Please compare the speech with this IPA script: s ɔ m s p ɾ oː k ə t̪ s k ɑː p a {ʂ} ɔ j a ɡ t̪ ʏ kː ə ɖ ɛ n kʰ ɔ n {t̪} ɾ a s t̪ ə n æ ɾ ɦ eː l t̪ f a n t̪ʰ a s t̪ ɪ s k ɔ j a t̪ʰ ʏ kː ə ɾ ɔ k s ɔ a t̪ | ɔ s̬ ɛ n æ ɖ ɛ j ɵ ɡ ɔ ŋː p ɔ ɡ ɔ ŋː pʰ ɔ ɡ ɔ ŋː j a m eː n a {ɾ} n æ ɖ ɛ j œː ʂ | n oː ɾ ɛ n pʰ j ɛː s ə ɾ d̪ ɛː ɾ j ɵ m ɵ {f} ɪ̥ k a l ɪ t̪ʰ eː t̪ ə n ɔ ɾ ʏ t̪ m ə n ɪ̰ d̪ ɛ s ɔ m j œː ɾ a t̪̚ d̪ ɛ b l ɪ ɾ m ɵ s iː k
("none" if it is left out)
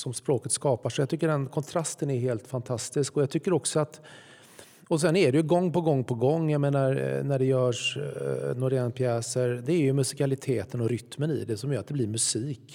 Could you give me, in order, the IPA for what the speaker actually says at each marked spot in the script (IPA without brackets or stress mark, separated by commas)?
ʂ, t̪ʰ, ɾ, s